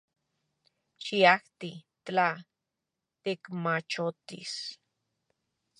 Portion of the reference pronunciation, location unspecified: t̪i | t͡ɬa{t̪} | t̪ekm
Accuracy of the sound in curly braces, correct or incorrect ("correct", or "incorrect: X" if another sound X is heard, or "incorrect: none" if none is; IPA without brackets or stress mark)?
incorrect: none